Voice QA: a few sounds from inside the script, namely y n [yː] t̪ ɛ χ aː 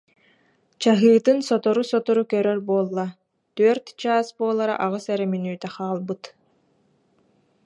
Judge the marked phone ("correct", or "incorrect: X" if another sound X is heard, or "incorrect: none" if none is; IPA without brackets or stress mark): correct